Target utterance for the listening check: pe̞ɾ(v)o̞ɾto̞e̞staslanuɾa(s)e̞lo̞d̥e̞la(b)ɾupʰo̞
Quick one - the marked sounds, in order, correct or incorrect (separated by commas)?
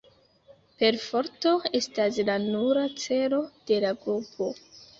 incorrect, incorrect, incorrect